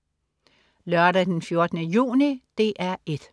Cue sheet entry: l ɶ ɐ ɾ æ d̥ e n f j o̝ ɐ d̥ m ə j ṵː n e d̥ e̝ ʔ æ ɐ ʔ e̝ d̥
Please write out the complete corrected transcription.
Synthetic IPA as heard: l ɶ ɐ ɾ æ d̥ e n f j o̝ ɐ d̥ n ə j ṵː n i d̥ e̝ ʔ æ ɐ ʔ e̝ d̥